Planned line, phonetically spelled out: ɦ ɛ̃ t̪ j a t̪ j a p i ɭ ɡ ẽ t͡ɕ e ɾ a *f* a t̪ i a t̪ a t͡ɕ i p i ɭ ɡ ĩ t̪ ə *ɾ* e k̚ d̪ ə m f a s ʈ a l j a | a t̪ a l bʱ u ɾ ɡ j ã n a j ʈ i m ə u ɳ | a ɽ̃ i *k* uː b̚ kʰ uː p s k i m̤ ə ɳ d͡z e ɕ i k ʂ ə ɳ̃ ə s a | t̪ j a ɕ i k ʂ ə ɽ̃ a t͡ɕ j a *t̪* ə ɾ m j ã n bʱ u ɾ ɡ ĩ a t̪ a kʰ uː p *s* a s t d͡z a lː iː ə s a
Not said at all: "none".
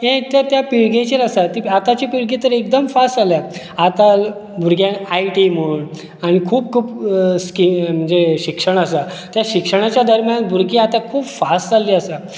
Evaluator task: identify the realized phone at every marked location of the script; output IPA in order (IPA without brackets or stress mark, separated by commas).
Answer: s, ɾ, kʰ, d̪, f